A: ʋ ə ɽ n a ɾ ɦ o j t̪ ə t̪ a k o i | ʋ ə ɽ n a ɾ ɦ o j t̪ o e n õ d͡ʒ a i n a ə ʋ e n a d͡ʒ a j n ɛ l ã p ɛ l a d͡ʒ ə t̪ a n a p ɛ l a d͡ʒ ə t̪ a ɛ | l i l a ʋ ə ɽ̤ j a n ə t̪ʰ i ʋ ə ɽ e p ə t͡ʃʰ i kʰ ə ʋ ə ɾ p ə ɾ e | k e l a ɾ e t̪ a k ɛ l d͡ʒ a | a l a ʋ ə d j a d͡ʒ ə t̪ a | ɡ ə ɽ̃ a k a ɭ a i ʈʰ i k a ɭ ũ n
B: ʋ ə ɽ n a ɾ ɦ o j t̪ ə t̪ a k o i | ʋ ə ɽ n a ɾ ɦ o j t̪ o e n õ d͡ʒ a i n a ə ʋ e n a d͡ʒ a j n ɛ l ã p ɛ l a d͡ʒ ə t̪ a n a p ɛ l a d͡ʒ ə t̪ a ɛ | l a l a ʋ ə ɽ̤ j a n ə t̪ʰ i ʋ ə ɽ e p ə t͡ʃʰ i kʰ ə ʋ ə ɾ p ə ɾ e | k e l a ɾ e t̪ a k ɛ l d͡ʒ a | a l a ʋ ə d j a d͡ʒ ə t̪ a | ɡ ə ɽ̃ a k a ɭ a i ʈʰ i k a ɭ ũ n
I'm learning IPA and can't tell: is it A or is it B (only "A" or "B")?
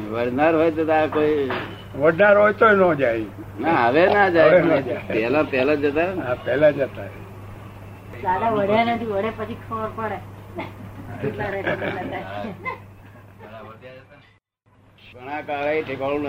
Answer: B